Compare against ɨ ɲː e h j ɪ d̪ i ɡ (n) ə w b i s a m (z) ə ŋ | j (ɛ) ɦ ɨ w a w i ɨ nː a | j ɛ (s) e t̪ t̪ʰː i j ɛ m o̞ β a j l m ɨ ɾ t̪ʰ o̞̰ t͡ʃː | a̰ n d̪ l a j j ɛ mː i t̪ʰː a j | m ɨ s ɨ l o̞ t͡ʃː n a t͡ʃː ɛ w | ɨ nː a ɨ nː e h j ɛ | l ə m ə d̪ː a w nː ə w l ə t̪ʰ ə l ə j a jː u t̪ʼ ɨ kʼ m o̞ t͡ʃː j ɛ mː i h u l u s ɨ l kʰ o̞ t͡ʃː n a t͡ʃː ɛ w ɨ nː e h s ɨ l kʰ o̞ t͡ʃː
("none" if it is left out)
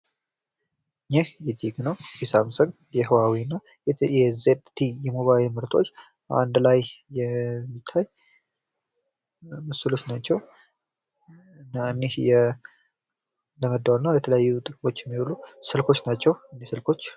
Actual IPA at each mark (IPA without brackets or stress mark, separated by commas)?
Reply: n, s, ɛ, z